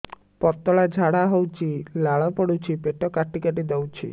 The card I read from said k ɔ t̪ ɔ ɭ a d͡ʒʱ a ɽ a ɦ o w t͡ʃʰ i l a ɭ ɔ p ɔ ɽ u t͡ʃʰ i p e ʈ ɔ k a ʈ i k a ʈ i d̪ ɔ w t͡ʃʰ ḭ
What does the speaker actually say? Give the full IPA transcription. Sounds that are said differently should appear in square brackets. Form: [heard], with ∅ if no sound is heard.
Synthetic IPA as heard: [p] ɔ t̪ ɔ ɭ a d͡ʒʱ a ɽ a ɦ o w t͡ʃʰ i l a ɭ ɔ p ɔ ɽ u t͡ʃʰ i p e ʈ ɔ k a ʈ i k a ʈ i d̪ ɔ w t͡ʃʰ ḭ